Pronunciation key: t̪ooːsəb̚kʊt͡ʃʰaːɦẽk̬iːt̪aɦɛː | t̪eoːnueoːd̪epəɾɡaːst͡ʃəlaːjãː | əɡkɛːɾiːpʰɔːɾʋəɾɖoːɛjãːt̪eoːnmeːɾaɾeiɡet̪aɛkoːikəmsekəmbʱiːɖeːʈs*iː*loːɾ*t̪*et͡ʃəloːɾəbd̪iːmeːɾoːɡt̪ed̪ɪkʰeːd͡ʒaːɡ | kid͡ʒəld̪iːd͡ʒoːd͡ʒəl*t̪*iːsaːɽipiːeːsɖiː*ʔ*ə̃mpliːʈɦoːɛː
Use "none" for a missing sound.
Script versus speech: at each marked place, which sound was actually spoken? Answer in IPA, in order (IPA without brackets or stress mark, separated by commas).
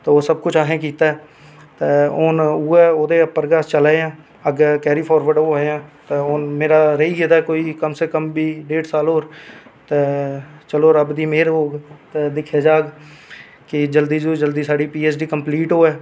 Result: aː, t̪, d̪, k